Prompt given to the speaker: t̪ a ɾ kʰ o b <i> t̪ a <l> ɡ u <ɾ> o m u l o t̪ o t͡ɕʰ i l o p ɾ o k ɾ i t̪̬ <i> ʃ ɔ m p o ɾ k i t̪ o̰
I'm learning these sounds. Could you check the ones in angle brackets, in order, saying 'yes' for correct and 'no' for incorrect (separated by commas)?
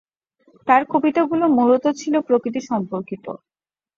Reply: yes, no, no, yes